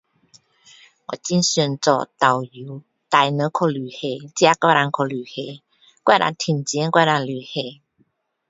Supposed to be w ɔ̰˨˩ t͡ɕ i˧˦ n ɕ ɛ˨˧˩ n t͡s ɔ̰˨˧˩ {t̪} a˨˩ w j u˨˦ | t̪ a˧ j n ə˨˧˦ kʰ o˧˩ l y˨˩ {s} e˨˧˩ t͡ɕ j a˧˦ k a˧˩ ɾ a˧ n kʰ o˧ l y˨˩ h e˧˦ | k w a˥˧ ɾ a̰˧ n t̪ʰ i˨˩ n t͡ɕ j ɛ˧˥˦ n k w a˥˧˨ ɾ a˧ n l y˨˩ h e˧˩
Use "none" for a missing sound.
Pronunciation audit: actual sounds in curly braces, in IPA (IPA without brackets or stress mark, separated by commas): t̪, h